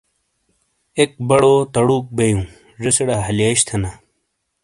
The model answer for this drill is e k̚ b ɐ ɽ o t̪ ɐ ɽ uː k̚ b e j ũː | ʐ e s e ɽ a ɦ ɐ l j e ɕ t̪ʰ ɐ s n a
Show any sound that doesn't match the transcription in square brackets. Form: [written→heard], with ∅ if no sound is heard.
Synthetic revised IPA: e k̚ b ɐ ɽ o t̪ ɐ ɽ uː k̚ b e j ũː | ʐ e s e ɽ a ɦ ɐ l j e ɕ t̪ʰ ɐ [s→∅] n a